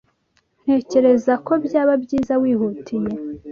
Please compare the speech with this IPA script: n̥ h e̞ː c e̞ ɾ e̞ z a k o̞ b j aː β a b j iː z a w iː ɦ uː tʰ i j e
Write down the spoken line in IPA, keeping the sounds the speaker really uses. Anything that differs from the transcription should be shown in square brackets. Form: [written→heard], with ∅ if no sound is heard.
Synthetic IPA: n̥ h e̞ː c e̞ ɾ e̞ z a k o̞ b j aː β a b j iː z a w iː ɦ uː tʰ i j e